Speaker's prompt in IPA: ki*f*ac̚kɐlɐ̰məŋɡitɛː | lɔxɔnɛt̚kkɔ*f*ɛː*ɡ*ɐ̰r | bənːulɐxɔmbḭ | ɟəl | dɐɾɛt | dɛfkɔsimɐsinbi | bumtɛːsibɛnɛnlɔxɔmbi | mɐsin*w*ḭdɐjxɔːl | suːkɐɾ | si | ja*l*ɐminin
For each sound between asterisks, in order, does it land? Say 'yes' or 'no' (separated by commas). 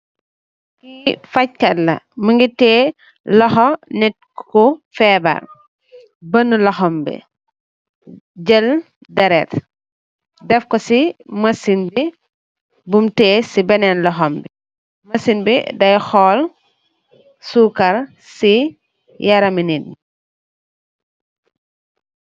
yes, yes, no, no, no